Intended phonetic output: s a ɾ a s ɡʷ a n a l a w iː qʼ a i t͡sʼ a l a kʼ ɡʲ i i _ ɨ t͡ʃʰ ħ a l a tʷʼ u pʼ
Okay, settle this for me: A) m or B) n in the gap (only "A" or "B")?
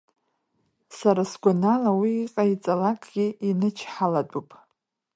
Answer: B